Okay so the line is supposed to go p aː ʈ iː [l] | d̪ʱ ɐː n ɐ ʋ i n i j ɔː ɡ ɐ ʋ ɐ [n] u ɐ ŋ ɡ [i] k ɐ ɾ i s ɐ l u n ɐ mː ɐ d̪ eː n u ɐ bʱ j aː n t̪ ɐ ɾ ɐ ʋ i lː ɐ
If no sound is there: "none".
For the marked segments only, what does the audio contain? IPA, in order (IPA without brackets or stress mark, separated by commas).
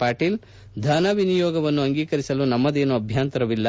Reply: l, nː, iː